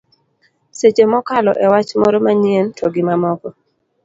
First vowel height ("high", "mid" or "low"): mid